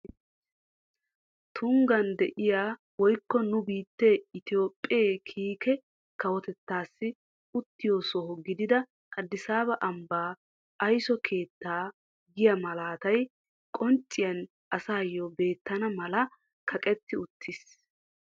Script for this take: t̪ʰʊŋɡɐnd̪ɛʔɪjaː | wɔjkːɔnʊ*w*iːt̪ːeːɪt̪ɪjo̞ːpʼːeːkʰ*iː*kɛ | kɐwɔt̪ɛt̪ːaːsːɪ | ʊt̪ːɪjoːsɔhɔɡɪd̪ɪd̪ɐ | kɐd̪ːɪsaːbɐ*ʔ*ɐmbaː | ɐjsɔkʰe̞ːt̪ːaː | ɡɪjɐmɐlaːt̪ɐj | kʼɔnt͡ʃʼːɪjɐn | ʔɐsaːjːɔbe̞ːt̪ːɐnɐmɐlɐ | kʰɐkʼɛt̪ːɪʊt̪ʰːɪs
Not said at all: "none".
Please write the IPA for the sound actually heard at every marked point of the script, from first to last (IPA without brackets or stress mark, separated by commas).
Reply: b, iː, ʔ